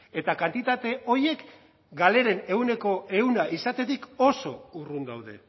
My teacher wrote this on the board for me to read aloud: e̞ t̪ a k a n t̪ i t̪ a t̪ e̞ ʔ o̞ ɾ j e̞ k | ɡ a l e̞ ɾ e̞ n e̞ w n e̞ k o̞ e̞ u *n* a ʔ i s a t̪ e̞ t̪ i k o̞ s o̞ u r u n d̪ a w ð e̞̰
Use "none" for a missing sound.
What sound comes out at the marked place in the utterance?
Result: n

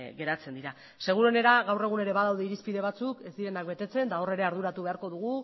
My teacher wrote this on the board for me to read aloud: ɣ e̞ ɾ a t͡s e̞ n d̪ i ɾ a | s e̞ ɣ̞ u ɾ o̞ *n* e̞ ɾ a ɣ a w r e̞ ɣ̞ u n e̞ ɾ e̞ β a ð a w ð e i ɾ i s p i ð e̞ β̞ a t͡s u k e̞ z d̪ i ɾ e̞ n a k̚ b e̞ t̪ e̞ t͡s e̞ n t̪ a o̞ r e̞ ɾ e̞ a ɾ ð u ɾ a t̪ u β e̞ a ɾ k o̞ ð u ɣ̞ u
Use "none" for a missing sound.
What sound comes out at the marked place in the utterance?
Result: n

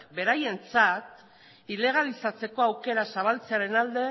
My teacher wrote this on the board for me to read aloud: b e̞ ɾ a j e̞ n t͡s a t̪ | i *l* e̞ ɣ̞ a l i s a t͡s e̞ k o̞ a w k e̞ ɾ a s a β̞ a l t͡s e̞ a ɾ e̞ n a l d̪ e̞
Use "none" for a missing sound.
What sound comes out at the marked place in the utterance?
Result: l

